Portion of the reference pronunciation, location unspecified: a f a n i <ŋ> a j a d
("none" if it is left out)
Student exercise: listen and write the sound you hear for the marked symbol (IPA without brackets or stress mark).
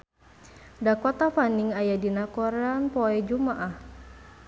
ŋ